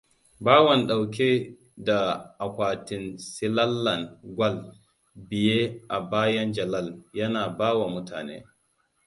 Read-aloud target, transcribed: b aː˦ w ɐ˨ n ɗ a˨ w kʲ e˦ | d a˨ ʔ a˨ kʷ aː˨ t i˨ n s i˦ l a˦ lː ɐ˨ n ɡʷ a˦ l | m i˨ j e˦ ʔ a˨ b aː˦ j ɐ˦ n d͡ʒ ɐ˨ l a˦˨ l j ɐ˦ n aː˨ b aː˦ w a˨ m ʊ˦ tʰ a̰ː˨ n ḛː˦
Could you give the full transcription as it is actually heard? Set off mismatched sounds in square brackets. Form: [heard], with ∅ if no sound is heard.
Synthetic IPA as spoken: b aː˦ w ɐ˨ n ɗ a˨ w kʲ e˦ | d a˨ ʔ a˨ kʷ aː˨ t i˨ n s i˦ l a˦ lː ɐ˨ n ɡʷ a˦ l | [b] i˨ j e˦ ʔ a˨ b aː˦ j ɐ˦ n d͡ʒ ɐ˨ l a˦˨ l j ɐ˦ n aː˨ b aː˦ w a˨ m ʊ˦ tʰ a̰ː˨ n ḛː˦